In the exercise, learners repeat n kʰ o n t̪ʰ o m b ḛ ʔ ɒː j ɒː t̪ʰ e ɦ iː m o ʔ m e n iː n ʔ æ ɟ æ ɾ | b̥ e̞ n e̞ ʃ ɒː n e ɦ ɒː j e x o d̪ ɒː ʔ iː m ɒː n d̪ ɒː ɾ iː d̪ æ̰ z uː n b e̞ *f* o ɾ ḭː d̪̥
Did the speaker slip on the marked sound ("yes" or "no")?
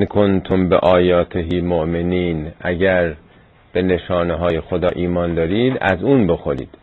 yes